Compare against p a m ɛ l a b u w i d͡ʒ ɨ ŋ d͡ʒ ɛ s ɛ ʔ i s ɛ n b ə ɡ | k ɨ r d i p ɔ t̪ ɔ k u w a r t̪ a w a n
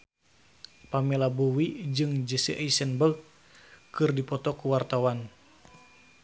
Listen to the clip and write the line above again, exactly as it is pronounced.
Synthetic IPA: p a m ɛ l a b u w i d͡ʒ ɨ ŋ d͡ʒ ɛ s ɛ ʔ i s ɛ n b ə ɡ | k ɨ r d i p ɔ t̪ ɔ k u w a r t̪ a w a n